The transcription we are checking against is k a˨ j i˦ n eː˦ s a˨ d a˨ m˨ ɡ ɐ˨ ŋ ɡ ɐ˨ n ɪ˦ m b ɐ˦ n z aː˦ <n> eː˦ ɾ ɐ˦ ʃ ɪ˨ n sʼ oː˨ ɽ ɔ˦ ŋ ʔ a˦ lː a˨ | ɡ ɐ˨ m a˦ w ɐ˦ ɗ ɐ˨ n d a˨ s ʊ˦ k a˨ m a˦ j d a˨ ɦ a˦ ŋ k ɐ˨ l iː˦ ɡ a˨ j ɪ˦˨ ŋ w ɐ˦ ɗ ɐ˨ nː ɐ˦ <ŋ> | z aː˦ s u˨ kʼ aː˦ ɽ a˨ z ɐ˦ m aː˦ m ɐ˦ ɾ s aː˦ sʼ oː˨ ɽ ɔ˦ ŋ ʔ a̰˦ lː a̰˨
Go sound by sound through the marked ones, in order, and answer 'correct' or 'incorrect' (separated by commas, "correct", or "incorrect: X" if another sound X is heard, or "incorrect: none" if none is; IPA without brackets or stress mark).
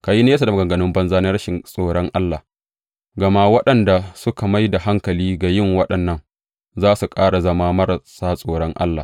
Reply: correct, correct